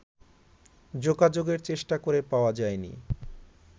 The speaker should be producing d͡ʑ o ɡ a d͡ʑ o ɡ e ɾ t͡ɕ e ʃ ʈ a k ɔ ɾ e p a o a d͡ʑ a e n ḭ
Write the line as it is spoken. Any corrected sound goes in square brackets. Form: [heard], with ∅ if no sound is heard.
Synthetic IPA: d͡ʑ o ɡ a d͡ʑ o ɡ e ɾ t͡ɕ e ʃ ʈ a k [o] ɾ e p a o a d͡ʑ a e n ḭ